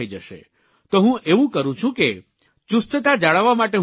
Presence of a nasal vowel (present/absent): present